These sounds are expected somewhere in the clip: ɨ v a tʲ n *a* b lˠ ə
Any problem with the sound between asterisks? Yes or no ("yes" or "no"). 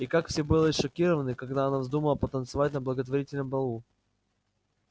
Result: yes